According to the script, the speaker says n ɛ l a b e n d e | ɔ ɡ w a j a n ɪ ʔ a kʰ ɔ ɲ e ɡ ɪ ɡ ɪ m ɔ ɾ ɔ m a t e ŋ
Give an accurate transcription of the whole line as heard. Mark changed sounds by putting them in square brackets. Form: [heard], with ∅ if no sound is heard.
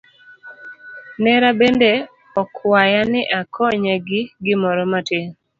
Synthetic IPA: n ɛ [ɾ] a b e n d e | ɔ [k] w a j a n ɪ ʔ a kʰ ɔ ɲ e ɡ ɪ ɡ ɪ m ɔ ɾ ɔ m a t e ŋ